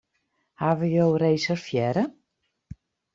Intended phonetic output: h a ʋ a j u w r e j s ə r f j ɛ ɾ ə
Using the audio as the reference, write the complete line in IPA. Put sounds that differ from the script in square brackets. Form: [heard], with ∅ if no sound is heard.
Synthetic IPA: h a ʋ [ə] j [o] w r e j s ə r f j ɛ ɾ ə